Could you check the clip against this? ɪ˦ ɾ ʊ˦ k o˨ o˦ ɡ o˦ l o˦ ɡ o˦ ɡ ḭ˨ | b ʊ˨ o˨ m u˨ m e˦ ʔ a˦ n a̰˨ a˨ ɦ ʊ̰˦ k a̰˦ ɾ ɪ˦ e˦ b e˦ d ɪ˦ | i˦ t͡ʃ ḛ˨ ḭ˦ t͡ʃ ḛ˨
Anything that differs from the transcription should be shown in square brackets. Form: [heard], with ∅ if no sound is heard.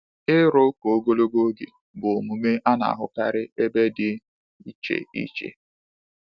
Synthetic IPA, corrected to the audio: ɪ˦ ɾ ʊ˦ k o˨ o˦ ɡ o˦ l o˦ ɡ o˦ ɡ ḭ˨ | b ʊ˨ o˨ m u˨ m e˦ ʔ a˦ n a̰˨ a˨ ɦ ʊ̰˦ k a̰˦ ɾ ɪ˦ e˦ b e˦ d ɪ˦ | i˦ t͡ʃ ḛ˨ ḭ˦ t͡ʃ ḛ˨